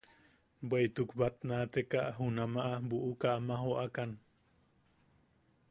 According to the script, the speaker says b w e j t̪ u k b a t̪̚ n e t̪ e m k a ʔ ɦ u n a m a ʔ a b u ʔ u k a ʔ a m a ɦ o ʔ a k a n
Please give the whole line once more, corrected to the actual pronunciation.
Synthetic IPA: b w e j t̪ u k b a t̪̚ n a t̪ e k a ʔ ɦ u n a m a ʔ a b u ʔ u k a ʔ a m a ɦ o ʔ a k a n